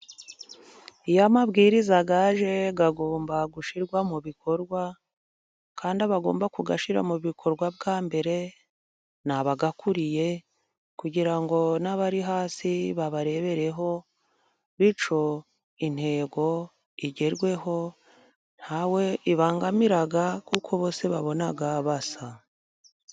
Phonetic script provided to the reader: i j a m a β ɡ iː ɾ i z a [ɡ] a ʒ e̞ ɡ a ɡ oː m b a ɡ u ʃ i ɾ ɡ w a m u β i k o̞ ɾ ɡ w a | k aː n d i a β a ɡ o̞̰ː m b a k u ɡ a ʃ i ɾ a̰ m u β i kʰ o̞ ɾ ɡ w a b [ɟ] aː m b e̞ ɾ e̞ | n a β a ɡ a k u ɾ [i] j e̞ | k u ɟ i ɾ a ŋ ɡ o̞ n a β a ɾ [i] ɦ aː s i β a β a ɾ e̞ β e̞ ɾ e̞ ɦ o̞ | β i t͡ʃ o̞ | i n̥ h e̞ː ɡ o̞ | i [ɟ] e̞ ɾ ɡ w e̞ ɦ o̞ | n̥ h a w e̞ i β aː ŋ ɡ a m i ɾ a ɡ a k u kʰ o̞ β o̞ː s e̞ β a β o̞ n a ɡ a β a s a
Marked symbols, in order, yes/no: yes, no, yes, yes, yes

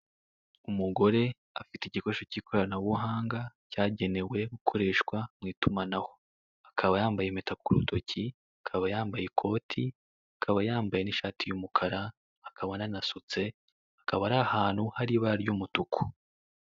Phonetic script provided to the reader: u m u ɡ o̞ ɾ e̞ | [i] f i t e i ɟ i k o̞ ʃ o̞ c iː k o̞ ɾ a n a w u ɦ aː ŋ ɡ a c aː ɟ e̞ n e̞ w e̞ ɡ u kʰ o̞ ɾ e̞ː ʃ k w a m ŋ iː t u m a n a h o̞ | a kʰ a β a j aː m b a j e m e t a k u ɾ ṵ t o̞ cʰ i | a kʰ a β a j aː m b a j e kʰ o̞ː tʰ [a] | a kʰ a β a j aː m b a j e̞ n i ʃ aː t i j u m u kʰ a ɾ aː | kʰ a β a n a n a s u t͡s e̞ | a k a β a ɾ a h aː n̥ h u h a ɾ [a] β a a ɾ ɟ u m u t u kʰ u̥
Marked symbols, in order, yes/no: no, no, no

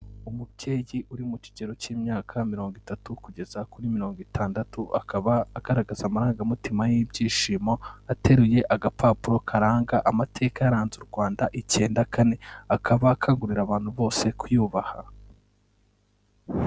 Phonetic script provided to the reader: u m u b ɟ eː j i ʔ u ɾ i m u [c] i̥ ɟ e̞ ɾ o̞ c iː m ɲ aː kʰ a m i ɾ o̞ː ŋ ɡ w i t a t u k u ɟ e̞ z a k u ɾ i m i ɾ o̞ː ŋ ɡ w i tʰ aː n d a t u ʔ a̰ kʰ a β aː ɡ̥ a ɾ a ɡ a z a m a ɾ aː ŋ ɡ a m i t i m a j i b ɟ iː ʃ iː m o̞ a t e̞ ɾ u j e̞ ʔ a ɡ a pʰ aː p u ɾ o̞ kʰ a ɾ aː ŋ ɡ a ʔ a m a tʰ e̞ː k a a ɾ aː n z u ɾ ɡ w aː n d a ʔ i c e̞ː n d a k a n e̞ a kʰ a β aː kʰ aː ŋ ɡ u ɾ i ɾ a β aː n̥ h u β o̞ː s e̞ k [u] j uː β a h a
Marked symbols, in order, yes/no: yes, yes

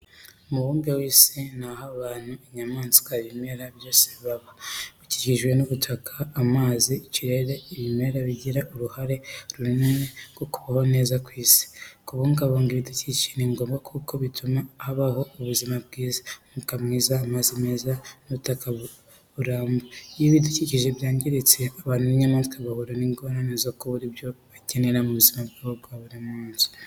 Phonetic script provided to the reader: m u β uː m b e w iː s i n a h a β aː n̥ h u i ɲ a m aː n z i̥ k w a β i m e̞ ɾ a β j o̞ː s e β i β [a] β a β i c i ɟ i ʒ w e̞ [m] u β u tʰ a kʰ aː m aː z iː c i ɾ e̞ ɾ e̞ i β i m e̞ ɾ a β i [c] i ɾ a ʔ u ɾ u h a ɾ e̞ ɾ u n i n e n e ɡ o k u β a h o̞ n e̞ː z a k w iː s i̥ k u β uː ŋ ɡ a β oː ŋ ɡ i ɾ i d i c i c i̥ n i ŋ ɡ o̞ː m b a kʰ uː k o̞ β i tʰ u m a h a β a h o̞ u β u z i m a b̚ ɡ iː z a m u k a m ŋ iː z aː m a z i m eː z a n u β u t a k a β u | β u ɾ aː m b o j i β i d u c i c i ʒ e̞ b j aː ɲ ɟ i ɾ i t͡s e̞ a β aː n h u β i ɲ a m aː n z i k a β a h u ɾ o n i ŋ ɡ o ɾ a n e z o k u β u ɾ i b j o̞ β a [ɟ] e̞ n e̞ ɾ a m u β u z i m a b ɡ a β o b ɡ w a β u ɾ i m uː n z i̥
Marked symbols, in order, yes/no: yes, no, no, no

